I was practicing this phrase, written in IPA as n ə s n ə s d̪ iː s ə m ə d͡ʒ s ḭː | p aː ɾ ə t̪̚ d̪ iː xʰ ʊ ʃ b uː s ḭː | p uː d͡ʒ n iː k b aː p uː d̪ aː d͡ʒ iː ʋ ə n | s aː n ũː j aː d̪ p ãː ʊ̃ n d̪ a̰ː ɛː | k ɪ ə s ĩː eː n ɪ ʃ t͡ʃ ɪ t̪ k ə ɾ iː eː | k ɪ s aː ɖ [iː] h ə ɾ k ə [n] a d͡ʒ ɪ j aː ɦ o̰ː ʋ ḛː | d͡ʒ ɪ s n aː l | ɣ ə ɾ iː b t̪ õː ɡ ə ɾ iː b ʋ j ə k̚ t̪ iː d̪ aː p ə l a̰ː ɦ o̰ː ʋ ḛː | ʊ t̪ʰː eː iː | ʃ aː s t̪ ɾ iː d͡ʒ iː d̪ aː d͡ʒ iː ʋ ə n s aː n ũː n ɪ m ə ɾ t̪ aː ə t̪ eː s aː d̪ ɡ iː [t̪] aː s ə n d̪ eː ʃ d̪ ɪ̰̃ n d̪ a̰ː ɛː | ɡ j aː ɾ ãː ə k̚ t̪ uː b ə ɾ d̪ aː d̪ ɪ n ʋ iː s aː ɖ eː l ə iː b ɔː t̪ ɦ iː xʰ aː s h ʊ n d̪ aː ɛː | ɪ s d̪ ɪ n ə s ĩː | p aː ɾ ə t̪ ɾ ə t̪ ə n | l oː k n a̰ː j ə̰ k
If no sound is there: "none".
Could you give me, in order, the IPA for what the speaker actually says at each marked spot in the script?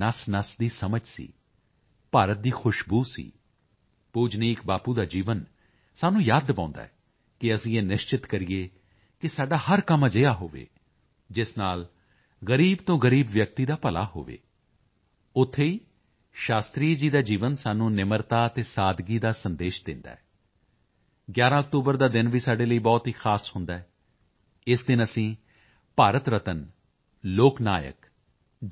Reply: aː, m, d̪

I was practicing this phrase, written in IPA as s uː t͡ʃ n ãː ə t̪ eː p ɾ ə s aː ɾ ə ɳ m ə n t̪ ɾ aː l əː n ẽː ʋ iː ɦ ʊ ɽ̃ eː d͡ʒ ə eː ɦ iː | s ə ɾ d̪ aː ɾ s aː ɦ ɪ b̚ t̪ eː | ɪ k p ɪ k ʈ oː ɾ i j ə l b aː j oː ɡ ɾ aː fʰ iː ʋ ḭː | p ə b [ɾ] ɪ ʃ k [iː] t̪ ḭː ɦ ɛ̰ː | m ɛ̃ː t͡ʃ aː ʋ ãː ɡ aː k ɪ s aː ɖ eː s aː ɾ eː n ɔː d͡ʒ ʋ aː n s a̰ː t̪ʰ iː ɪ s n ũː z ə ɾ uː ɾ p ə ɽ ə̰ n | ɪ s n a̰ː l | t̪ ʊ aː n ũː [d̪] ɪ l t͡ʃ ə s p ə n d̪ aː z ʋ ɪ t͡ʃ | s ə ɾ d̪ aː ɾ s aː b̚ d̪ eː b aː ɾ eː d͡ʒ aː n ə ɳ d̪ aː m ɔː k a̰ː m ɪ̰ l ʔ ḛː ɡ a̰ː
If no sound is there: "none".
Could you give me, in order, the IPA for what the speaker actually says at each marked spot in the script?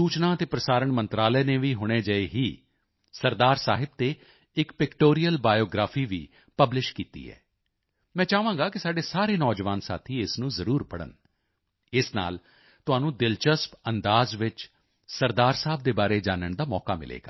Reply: l, iː, d̪

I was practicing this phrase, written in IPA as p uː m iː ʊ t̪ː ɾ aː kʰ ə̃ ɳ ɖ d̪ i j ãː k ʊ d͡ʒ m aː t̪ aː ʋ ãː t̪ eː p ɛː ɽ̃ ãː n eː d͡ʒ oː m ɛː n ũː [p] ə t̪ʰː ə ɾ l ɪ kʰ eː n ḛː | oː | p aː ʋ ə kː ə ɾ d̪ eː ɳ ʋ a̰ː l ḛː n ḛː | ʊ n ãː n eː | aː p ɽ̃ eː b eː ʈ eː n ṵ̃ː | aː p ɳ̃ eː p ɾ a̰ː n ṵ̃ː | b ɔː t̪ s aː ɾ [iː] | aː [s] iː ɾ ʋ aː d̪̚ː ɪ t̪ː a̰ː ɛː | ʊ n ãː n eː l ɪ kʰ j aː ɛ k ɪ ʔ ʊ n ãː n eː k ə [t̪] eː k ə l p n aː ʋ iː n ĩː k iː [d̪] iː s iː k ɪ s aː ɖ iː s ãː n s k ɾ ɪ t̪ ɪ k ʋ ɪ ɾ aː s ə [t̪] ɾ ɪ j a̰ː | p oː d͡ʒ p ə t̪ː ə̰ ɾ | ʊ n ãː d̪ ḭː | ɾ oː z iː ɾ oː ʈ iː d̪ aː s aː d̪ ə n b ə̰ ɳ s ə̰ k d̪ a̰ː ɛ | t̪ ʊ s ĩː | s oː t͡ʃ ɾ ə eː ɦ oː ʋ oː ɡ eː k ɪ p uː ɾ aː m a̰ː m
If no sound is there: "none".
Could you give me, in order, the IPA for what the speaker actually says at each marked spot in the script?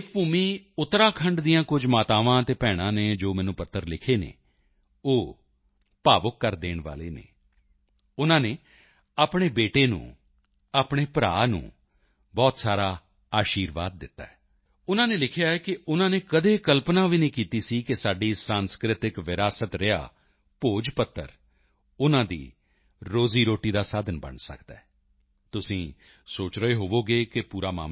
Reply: p, aː, ʃ, d̪, t̪, t̪

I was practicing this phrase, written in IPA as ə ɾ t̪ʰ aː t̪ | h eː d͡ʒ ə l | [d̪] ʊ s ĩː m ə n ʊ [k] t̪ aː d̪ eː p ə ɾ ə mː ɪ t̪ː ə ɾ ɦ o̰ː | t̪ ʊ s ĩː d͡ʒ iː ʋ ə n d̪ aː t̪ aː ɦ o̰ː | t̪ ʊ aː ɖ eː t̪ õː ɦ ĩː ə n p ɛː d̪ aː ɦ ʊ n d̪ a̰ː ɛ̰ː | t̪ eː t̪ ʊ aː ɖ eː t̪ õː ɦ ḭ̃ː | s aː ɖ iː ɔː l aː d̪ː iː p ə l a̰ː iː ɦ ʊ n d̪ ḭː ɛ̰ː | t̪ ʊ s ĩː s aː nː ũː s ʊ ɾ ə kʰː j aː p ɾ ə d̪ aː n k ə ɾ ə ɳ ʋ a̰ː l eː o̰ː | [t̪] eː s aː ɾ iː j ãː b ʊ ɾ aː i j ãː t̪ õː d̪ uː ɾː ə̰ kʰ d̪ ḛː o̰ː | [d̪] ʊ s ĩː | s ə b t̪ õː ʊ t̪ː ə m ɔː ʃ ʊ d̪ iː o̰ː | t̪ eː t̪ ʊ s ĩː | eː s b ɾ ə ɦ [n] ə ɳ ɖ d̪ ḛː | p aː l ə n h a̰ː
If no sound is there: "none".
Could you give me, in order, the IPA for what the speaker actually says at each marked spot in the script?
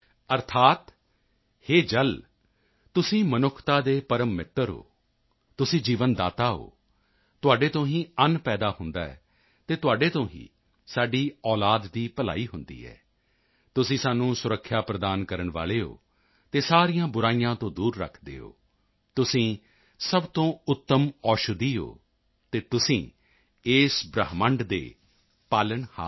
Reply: t̪, kʰ, t̪, t̪, m

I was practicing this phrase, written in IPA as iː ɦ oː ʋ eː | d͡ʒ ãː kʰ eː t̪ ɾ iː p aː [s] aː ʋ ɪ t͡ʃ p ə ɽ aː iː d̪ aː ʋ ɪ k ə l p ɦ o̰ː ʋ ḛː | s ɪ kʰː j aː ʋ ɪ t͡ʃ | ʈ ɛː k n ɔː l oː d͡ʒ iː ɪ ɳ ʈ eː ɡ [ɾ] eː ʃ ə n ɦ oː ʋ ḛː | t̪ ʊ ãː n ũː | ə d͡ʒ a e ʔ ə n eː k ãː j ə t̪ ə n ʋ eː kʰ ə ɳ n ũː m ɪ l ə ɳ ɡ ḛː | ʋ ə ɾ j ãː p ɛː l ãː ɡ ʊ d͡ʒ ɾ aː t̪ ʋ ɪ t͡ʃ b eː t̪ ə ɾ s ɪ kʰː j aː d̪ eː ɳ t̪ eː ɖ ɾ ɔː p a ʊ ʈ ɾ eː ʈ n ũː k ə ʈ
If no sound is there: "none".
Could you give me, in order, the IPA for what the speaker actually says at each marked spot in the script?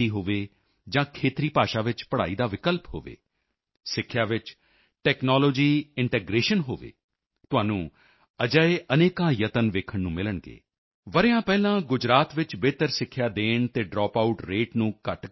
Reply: ʃ, ɾ

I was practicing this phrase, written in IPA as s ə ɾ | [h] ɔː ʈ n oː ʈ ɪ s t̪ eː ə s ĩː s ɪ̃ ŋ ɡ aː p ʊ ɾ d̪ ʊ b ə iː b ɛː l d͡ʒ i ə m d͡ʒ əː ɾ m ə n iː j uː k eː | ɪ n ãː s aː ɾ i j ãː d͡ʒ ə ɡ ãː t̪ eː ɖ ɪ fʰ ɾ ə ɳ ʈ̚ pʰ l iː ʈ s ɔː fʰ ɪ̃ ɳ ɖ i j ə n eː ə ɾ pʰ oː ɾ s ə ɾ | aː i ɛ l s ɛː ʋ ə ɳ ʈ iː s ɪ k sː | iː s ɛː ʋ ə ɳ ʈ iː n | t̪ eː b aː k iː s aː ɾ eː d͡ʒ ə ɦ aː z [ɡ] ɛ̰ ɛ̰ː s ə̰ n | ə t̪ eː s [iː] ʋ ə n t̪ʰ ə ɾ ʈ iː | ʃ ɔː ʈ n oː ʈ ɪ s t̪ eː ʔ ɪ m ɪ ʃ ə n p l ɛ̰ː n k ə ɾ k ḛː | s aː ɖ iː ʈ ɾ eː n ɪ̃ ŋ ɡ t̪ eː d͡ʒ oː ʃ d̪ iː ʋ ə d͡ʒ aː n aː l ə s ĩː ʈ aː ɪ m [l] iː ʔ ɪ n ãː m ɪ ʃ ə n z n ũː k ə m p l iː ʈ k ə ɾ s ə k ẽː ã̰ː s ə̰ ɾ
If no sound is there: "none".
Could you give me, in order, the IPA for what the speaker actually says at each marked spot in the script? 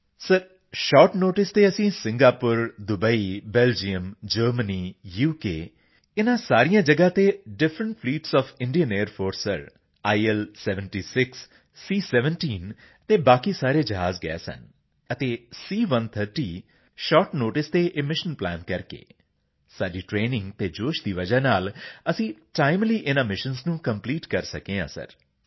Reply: ʃ, ɡ, iː, l

